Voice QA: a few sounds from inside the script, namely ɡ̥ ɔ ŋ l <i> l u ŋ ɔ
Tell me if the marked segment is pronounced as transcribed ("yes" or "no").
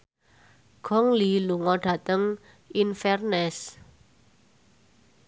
yes